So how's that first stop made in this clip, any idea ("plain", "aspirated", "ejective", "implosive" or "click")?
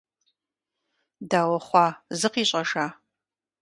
plain